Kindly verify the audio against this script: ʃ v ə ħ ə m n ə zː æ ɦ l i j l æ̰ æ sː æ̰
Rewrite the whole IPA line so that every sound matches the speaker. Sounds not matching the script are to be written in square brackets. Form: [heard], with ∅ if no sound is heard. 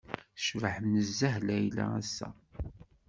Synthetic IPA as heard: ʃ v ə ħ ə m n ə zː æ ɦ l [æ] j l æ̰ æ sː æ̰